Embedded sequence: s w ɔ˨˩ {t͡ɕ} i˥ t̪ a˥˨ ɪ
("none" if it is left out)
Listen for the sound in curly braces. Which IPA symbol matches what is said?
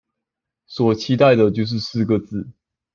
t͡ɕʰ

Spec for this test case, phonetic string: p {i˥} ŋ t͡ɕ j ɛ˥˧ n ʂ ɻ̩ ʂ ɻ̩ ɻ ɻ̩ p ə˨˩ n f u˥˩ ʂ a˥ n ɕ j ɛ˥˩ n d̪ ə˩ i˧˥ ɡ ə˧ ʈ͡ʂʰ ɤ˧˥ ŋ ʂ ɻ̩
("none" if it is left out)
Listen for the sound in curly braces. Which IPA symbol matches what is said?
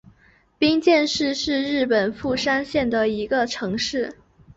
i˥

